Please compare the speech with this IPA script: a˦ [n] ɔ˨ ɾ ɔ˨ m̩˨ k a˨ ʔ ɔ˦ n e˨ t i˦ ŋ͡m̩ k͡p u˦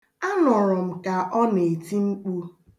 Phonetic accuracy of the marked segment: correct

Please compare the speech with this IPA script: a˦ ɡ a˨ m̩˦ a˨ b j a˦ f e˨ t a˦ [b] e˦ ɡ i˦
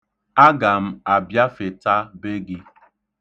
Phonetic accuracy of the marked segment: correct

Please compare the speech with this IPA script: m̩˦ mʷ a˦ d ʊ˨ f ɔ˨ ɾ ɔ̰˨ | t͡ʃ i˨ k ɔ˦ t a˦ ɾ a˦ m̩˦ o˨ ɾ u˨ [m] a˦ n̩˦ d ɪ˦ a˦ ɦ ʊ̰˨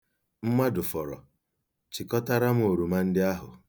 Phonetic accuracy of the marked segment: correct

